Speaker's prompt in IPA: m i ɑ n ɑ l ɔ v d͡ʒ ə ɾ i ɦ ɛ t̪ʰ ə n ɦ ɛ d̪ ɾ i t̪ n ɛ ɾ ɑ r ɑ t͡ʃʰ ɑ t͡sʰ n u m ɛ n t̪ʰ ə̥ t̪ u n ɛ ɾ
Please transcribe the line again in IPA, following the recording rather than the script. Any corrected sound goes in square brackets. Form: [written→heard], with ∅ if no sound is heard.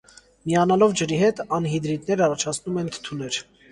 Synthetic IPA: m i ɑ n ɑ l ɔ v d͡ʒ ə ɾ i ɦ ɛ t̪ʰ [ə→ɑ] n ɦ [ɛ→i] d̪ ɾ i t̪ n ɛ ɾ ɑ r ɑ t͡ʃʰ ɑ t͡sʰ n u m ɛ n t̪ʰ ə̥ [t̪→t̪ʰ] u n ɛ ɾ